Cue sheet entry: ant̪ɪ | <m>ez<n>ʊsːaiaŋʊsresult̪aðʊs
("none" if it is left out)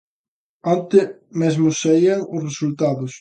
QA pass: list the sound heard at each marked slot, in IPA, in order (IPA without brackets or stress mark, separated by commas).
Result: m, m